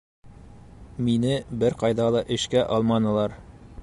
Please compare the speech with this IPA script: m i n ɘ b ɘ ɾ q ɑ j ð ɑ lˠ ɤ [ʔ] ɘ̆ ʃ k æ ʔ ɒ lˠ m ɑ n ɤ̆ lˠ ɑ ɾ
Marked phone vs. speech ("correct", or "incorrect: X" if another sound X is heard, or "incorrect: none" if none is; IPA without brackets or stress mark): correct